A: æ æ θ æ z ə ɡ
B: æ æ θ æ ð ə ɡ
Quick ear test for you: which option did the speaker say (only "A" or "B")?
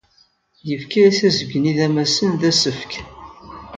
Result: A